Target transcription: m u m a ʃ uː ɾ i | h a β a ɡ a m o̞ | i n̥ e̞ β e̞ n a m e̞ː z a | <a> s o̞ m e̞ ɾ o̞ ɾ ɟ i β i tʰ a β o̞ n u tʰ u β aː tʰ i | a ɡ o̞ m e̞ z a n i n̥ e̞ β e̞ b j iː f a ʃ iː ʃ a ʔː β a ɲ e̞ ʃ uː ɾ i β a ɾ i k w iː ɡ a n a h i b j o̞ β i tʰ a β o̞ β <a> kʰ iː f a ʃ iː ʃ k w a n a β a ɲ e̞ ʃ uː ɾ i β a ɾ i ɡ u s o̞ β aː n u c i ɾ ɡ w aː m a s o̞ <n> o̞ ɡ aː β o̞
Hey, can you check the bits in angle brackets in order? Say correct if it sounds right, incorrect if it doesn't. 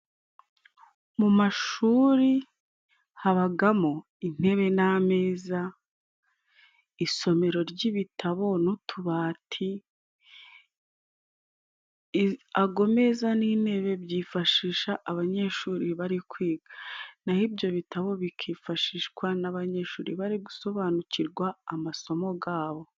incorrect, incorrect, incorrect

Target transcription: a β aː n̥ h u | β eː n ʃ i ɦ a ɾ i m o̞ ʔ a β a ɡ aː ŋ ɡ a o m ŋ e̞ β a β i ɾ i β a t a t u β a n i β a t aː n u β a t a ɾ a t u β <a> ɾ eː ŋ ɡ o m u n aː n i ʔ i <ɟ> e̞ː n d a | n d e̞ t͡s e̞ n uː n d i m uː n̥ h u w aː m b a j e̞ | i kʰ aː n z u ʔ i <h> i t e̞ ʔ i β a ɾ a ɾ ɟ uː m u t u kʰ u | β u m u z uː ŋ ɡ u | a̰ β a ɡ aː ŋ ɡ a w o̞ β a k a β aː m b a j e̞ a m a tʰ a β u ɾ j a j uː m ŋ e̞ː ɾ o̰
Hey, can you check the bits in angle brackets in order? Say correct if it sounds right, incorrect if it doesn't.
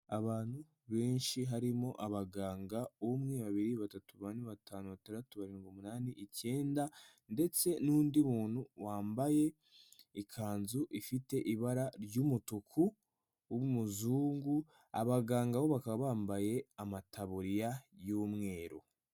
correct, incorrect, incorrect

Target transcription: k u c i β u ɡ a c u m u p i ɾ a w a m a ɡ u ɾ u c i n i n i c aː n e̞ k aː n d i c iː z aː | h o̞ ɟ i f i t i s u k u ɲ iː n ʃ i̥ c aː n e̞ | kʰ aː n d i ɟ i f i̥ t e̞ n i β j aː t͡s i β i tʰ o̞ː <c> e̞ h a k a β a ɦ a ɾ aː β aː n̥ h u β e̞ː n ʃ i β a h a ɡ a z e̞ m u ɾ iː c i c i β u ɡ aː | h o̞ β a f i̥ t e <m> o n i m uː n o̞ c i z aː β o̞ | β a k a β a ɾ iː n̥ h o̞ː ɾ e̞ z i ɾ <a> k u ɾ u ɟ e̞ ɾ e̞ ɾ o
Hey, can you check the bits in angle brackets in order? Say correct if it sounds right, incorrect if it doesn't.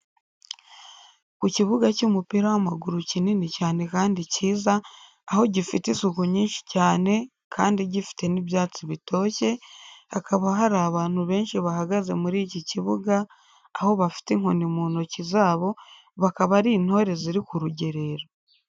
correct, incorrect, incorrect

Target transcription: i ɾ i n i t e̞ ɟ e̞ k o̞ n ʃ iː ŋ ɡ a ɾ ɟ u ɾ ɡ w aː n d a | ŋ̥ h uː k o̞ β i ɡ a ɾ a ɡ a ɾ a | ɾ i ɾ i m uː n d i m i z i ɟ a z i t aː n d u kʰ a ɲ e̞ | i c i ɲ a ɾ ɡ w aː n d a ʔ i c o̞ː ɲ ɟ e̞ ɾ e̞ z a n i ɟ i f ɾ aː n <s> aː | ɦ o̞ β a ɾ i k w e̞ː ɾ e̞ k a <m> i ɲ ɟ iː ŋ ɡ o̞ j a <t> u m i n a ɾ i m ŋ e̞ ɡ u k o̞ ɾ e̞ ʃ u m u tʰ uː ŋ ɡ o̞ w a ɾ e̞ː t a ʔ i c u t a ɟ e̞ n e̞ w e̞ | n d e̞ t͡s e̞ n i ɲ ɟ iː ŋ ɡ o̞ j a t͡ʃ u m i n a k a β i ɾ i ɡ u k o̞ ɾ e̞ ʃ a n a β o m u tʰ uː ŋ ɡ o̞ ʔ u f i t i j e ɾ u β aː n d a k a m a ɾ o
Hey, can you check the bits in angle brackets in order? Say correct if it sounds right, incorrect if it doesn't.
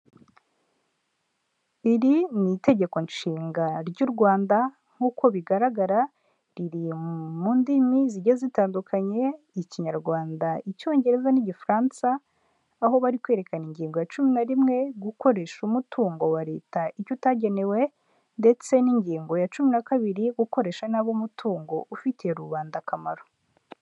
correct, incorrect, incorrect

